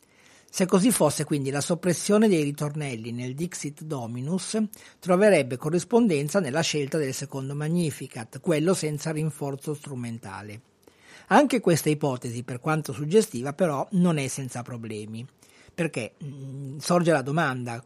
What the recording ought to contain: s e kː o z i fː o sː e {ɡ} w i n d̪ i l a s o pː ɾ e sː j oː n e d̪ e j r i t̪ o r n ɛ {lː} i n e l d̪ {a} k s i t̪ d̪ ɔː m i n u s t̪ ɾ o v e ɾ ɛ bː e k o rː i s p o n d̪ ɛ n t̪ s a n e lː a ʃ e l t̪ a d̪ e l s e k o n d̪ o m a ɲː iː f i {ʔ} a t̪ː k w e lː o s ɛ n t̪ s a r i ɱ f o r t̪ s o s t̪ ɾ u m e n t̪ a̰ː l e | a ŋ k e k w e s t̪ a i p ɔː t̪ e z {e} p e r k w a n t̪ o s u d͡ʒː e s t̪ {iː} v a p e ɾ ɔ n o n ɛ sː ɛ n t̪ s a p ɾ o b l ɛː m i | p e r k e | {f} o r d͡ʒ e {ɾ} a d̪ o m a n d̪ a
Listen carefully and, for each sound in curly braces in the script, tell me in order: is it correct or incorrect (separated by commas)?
incorrect, correct, incorrect, incorrect, incorrect, correct, incorrect, incorrect